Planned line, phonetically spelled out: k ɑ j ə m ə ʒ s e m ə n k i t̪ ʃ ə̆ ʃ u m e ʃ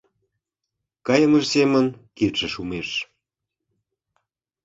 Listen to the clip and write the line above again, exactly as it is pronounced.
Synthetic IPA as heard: k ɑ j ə m ə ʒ s e m ə n k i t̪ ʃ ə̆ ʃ u m e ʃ